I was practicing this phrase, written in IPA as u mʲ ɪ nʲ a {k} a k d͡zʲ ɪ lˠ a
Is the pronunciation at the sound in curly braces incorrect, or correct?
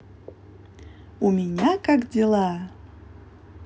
correct